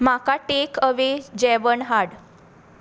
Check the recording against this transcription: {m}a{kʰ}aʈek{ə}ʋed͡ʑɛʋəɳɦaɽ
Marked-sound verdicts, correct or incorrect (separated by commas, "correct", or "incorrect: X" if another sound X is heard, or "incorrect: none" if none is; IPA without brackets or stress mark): correct, incorrect: k, correct